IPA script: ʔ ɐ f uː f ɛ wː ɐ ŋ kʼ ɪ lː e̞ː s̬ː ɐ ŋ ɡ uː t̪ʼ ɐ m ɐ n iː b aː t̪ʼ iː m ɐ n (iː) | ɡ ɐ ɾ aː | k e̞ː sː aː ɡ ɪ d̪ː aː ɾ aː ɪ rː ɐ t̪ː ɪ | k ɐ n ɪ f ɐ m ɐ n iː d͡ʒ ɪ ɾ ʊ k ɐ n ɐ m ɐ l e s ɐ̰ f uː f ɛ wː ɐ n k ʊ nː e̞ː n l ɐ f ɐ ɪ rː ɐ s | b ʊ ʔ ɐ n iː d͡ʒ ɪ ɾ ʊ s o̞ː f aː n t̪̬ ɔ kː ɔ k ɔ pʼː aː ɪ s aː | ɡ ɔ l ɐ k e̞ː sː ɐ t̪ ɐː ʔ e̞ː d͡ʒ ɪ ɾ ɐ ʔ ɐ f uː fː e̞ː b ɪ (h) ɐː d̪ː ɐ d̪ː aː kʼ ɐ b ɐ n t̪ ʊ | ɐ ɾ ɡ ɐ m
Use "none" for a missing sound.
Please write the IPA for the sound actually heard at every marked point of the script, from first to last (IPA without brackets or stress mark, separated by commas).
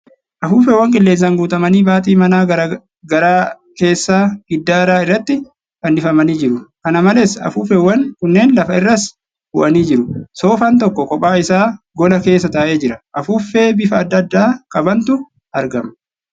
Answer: aː, f